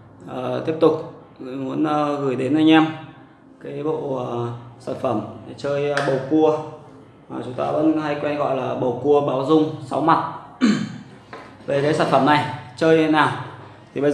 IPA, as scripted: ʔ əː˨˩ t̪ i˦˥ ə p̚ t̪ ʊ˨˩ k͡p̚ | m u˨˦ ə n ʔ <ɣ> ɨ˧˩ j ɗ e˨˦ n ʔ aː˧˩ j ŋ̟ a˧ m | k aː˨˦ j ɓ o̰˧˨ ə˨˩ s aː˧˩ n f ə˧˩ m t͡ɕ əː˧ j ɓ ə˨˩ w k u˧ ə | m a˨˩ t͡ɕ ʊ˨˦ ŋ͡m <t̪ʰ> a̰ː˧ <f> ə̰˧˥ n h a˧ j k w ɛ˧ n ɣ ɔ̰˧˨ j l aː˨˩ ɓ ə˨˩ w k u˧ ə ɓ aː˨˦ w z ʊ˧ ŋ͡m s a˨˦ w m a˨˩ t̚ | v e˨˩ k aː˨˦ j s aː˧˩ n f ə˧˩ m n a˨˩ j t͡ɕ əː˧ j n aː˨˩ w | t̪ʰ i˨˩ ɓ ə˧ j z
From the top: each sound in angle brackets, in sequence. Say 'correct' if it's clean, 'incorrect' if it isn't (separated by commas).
correct, incorrect, incorrect